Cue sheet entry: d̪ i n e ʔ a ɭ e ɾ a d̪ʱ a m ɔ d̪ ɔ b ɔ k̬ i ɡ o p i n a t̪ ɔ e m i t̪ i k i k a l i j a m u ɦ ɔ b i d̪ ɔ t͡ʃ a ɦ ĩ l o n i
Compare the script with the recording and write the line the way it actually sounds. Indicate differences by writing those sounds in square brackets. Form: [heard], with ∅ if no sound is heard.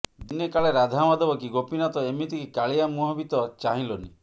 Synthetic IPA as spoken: d̪ i n e [k] a ɭ e ɾ a d̪ʱ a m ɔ d̪ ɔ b ɔ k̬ i ɡ o p i n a t̪ ɔ e m i t̪ i k i k a [ɭ] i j a m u ɦ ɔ b i [t̪] ɔ t͡ʃ a ɦ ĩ l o n i